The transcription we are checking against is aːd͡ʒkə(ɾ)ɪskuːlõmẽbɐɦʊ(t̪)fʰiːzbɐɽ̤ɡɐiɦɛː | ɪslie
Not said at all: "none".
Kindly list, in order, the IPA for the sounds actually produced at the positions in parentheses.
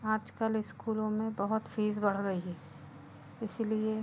l, t̪

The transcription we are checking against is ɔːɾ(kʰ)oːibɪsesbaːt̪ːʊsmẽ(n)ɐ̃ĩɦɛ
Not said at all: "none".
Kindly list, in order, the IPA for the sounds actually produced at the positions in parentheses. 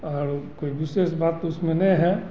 k, n

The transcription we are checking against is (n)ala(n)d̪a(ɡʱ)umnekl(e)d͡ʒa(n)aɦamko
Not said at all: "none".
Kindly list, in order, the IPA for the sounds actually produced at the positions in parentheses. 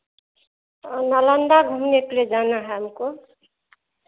n, n, ɡʱ, e, n

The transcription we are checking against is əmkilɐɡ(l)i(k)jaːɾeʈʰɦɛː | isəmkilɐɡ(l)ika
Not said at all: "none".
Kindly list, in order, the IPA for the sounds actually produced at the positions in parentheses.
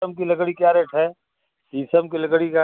ɽ, k, ɽ

